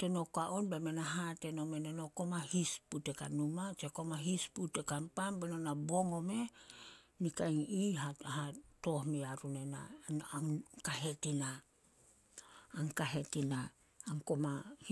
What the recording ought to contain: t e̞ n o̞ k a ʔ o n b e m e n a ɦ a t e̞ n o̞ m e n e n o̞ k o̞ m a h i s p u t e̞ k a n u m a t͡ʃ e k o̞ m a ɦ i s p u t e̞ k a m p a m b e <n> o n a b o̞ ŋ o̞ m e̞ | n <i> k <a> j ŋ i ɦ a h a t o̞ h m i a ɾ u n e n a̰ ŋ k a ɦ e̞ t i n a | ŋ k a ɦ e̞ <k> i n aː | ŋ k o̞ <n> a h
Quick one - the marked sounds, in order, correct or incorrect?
correct, correct, correct, incorrect: t, incorrect: m

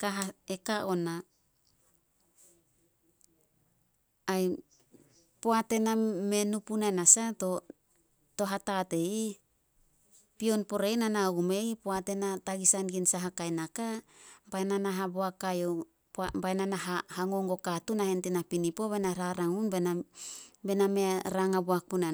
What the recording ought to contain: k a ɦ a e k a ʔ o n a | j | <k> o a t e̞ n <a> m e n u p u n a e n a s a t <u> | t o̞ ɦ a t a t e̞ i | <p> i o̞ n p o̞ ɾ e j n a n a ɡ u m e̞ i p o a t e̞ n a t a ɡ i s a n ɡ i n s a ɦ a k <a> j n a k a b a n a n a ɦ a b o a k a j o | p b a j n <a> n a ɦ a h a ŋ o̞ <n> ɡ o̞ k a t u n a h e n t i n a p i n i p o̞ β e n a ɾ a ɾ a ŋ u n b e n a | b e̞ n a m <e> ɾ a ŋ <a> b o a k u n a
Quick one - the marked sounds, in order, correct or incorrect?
incorrect: p, correct, incorrect: o, correct, correct, correct, incorrect: ŋ, correct, correct

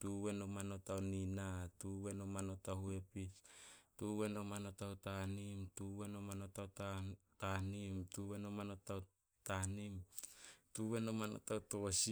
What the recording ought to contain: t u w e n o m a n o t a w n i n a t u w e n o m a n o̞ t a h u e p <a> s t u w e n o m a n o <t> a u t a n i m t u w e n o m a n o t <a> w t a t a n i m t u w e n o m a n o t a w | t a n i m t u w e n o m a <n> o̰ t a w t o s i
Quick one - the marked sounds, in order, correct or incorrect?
incorrect: i, correct, correct, correct

